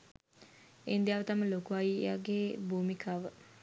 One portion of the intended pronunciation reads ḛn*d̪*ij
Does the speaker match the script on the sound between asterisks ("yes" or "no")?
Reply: yes